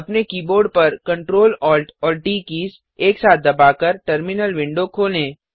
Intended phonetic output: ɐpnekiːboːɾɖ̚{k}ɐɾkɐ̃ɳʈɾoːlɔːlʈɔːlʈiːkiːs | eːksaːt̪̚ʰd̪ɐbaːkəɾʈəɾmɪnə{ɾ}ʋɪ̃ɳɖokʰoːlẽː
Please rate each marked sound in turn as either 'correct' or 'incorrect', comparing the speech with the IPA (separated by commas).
incorrect, incorrect